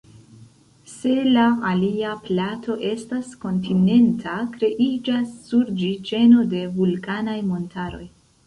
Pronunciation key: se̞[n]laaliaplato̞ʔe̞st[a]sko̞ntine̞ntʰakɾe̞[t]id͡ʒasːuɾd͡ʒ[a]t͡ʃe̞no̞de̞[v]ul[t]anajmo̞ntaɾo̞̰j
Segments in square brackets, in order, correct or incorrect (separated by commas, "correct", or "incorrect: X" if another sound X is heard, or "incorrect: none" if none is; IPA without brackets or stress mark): incorrect: none, correct, incorrect: ʔ, incorrect: i, correct, incorrect: k